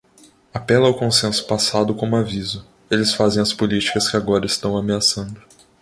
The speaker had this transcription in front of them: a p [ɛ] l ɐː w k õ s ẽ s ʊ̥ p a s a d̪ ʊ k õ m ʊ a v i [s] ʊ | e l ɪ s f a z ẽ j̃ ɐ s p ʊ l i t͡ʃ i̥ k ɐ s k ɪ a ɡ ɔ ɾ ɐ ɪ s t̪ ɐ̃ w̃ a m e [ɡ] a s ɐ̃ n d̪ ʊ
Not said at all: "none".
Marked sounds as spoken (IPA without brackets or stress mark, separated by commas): ɛ, z, none